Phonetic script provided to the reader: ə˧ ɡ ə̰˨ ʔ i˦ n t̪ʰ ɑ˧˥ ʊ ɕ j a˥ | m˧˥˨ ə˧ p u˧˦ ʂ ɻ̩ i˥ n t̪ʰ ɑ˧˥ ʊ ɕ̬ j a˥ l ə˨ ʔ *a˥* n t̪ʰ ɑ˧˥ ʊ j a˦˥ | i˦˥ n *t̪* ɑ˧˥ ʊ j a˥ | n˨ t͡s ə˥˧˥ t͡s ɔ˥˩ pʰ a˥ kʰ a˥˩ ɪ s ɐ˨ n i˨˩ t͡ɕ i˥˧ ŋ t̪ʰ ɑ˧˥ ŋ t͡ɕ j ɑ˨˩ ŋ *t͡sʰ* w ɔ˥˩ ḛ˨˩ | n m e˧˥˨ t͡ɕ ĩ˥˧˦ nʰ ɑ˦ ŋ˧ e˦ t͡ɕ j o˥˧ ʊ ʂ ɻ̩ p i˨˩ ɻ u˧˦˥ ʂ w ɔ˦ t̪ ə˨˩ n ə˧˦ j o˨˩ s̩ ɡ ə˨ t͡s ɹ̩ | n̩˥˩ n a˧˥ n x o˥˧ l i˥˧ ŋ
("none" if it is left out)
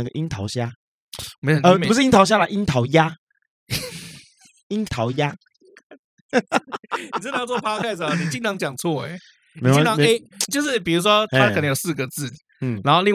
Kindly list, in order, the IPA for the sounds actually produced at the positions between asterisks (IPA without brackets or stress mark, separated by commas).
i˥, t̪ʰ, t͡sʰ